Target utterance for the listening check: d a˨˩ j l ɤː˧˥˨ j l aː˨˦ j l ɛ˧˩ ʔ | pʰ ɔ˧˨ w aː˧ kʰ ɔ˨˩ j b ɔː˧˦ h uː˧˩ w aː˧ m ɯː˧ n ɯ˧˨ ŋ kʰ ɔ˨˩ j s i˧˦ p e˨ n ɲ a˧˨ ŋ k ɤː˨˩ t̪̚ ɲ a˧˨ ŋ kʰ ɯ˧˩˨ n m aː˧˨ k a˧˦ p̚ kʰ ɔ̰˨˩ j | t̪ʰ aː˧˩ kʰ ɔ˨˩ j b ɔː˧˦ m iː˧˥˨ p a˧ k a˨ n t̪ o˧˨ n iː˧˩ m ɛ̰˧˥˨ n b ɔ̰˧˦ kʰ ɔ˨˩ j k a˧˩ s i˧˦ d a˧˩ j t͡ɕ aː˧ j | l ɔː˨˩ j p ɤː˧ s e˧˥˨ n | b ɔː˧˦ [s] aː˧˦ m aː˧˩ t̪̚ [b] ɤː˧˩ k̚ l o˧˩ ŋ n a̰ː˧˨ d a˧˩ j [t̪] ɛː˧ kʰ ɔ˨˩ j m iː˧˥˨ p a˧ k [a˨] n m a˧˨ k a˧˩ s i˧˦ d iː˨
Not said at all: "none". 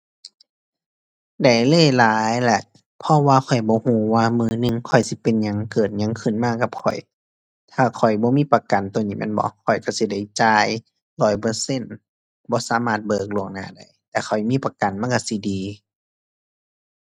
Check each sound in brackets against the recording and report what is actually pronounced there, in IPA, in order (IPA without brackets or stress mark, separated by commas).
s, b, t̪, a˨